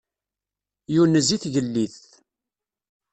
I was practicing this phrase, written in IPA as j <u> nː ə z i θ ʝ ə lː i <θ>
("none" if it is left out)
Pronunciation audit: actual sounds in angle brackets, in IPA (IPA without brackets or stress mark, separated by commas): u, θ